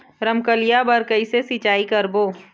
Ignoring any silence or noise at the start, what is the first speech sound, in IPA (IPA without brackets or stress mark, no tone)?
ɾ